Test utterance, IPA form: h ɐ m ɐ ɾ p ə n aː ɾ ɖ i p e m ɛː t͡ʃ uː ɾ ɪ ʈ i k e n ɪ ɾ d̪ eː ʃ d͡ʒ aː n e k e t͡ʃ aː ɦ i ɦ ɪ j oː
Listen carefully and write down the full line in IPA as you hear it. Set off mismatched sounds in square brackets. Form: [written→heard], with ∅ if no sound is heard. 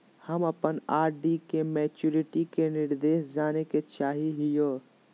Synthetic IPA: h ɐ m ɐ [ɾ→∅] p ə n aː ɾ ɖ i [p→k] e m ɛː t͡ʃ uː ɾ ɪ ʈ i k e n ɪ ɾ d̪ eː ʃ d͡ʒ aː n e k e t͡ʃ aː ɦ i ɦ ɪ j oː